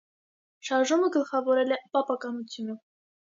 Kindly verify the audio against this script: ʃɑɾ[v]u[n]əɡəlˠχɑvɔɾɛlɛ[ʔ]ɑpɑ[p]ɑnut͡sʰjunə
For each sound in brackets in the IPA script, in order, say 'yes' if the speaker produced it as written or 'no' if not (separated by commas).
no, no, no, no